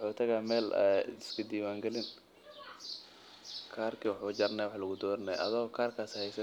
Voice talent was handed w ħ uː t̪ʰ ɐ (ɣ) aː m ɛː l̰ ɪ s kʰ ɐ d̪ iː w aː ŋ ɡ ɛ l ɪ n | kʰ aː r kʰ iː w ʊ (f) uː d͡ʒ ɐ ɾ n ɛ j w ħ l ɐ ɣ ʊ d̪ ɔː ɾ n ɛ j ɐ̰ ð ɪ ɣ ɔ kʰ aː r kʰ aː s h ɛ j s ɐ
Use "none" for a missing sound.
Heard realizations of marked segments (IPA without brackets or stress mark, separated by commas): ɣ, ħ